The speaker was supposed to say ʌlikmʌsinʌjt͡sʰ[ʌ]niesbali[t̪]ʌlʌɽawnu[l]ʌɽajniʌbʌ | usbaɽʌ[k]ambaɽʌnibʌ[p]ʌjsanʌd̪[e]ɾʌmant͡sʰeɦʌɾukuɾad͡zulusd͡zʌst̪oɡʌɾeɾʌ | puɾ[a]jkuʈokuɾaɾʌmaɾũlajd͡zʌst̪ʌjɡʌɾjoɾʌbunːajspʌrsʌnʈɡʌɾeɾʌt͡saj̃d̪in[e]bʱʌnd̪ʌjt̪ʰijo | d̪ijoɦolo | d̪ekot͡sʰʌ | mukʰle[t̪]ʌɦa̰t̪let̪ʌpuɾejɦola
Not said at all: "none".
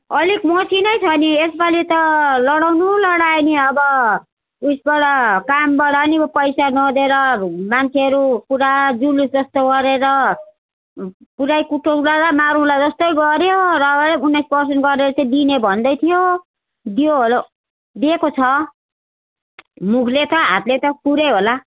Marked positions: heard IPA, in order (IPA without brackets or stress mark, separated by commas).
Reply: ʌ, t̪, l, k, p, e, a, e, t̪